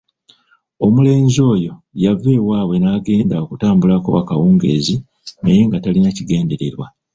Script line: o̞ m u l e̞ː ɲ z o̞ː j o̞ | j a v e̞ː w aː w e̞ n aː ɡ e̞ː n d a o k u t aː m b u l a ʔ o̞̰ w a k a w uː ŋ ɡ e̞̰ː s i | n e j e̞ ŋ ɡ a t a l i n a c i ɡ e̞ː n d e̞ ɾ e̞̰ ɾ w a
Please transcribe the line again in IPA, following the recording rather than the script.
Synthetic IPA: o̞ m u l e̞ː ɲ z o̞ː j o̞ | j a v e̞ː w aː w e̞ n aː ɡ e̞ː n d a o k u t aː m b u l a k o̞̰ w a k a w uː ŋ ɡ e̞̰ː z i | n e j e̞ ŋ ɡ a t a l i n a c i ɡ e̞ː n d e̞ ɾ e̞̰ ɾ w a